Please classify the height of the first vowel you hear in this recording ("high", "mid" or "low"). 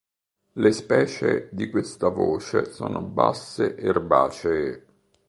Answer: mid